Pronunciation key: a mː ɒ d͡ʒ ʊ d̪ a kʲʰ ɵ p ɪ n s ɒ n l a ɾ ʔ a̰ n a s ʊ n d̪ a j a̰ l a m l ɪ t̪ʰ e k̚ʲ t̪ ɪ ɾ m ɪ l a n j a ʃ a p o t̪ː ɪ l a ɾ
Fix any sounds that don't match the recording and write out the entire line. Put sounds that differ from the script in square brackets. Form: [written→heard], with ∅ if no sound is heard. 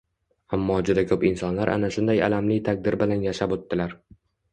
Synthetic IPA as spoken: a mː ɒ d͡ʒ ʊ d̪ a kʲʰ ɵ p ɪ n s ɒ n l a ɾ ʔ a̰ n a [s→ʃ] ʊ n d̪ a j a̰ l a m l ɪ t̪ʰ [e→a] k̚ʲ [t̪→d̪] ɪ ɾ [m→b] ɪ l a n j a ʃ a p o t̪ː ɪ l a ɾ